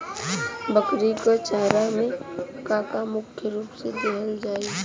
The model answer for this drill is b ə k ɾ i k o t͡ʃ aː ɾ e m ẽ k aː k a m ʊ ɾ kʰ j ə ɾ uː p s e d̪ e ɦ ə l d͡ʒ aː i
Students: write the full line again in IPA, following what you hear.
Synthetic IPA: b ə k ɾ i k o t͡ʃ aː ɾ a m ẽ k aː k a m ʊ kʰ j ə ɾ uː p s e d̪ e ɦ ə l d͡ʒ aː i